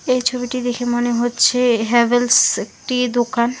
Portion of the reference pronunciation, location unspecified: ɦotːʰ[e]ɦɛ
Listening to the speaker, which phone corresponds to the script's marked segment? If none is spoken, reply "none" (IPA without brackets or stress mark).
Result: e